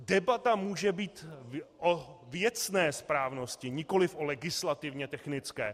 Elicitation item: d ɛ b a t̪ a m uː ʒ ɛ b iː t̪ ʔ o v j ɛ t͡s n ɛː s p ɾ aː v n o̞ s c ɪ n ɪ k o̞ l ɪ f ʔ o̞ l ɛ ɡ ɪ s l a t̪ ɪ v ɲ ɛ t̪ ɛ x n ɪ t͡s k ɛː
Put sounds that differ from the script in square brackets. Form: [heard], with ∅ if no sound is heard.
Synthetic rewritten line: d ɛ b a t̪ a m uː ʒ ɛ b iː t̪ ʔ o v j ɛ t͡s n ɛː s p ɾ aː v n o̞ s c ɪ [ɲ] ɪ k o̞ l ɪ f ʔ o̞ l ɛ ɡ ɪ s l a t̪ ɪ v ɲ ɛ t̪ ɛ x n ɪ t͡s k ɛː